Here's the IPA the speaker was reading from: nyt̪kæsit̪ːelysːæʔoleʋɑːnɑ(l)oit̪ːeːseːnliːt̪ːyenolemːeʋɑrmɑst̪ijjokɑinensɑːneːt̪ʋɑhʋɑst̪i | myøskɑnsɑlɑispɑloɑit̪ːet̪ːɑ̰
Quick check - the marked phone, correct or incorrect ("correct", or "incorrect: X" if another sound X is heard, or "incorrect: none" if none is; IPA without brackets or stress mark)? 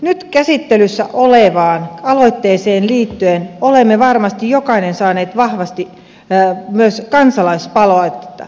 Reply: correct